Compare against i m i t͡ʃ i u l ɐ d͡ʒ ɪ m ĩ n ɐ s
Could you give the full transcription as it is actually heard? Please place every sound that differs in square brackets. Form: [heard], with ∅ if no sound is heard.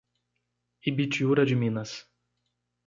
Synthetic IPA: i [b] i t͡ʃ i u [ɾ] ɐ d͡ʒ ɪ m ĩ n ɐ s

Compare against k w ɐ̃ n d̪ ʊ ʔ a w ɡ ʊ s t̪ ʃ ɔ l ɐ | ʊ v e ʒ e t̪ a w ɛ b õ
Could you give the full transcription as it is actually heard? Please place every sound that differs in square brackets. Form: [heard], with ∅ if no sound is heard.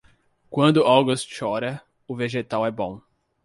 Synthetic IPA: k w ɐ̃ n d̪ ʊ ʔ a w ɡ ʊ s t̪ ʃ ɔ [ɾ] ɐ | ʊ v e ʒ e t̪ a w ɛ b õ

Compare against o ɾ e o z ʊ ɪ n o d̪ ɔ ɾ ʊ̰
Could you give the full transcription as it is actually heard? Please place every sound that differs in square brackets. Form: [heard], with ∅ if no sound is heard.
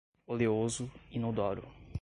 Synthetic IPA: o [l] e o z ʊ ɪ n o d̪ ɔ ɾ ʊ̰

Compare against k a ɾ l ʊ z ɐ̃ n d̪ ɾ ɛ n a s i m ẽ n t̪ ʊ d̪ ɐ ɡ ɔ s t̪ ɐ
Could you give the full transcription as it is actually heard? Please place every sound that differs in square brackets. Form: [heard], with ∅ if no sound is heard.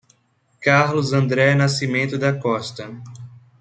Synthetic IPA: k a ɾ l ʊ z ɐ̃ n d̪ ɾ ɛ n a s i m ẽ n t̪ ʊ d̪ ɐ [k] ɔ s t̪ ɐ

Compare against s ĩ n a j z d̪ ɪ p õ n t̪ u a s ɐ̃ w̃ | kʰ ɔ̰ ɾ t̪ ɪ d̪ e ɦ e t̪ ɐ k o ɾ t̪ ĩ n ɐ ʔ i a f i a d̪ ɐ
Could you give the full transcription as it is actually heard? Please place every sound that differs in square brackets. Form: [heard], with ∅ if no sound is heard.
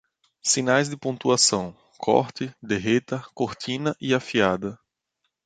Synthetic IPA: s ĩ n a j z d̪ ɪ p õ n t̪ u a s ɐ̃ w̃ | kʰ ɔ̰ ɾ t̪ ɪ d̪ e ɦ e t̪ ɐ k o ɾ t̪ ĩ n ɐ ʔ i a f i a d̪ ɐ

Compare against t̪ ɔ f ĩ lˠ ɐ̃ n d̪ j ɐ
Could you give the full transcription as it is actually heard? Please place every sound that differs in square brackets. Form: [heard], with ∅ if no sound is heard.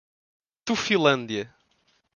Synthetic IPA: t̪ [u] f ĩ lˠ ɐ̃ n d̪ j ɐ

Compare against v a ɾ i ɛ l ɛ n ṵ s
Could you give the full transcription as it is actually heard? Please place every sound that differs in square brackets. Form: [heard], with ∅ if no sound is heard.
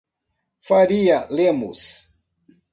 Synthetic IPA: [f] a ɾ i [a] l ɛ [m] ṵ s

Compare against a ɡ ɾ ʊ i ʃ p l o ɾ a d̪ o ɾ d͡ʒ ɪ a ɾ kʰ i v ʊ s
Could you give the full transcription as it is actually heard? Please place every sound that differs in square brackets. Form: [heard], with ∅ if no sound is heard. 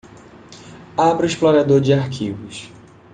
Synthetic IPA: a [b] ɾ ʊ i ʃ p l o ɾ a d̪ o ɾ d͡ʒ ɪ a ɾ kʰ i v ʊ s

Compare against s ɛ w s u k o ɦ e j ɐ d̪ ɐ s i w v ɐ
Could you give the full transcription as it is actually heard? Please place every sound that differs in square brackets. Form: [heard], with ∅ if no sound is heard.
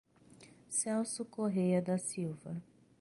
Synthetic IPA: s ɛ w s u k o ɦ e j ɐ d̪ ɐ s i w v ɐ

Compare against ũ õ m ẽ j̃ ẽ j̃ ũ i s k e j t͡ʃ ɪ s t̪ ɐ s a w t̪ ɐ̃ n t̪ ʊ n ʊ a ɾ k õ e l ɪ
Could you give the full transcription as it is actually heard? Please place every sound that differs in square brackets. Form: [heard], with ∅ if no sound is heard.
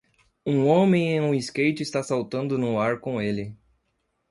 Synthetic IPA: ũ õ m ẽ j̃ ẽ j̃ ũ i s k e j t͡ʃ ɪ s t̪ [a] s a w t̪ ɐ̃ n [d̪] ʊ n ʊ a ɾ k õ e l ɪ

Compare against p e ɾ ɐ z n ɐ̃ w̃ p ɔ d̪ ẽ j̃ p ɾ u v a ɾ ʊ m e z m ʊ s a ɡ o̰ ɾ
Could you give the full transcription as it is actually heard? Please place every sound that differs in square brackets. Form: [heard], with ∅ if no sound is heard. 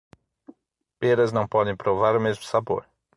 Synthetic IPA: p e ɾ ɐ z n ɐ̃ w̃ p ɔ d̪ ẽ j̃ p ɾ [o] v a ɾ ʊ m e z m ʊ s a [b] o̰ ɾ

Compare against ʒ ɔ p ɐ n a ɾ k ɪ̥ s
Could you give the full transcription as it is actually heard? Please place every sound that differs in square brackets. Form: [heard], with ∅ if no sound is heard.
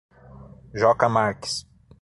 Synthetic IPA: ʒ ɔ [k] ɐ [m] a ɾ k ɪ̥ s

